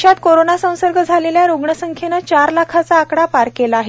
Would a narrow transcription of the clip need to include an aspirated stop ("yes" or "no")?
yes